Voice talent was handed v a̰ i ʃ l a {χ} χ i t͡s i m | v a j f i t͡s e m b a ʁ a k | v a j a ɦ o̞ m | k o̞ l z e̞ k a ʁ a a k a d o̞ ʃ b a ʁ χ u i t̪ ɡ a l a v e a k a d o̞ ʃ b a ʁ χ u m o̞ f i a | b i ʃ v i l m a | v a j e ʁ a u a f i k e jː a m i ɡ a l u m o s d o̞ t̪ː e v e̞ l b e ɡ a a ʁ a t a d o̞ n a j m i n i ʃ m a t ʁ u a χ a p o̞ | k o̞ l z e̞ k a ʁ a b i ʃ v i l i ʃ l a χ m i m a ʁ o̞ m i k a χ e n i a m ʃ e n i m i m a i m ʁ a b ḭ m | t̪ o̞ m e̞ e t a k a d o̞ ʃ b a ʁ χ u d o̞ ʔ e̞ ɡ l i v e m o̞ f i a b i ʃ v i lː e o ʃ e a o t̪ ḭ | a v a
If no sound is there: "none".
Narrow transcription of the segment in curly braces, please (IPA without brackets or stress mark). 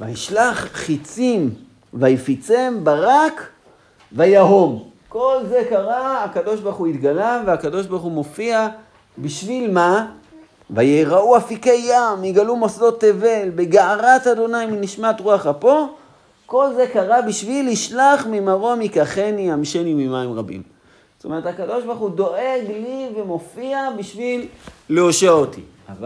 χ